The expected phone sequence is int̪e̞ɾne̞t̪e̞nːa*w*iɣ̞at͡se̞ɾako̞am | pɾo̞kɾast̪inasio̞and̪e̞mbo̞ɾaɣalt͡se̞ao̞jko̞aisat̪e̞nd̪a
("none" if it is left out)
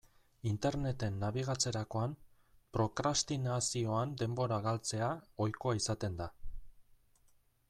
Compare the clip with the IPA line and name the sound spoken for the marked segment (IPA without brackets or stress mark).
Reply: β